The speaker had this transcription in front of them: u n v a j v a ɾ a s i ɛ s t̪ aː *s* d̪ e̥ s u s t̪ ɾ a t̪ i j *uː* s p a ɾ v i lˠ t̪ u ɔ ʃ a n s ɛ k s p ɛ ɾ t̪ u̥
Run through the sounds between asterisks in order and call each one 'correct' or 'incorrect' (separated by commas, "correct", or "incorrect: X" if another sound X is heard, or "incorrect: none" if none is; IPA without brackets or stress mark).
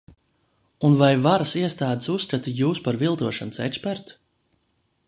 incorrect: none, correct